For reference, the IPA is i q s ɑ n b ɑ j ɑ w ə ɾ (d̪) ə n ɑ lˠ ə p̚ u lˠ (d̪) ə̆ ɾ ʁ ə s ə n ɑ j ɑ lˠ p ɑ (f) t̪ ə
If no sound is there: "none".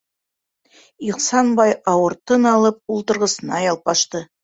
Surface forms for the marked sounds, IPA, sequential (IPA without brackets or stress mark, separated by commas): t̪, t̪, ʃ